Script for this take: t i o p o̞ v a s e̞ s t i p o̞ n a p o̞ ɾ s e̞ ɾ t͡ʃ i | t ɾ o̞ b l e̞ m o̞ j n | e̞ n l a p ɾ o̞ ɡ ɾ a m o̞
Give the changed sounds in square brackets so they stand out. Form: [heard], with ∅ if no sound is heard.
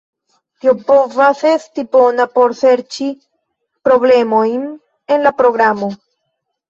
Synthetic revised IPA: t i o p o̞ v a s e̞ s t i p o̞ n a p o̞ ɾ s e̞ ɾ t͡ʃ i | [p] ɾ o̞ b l e̞ m o̞ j n | e̞ n l a p ɾ o̞ ɡ ɾ a m o̞